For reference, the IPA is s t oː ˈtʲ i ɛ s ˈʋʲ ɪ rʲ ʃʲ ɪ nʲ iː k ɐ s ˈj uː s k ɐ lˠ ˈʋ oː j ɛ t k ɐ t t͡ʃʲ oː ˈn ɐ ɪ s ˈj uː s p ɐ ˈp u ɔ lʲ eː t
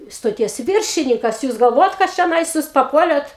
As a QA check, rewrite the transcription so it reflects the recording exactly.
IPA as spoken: s t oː ˈtʲ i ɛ s ˈʋʲ ɪ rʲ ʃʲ ɪ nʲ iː k ɐ s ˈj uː s ɡ ɐ lˠ ˈʋ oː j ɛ t k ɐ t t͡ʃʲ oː ˈn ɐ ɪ s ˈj uː s p ɐ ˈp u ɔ lʲ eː t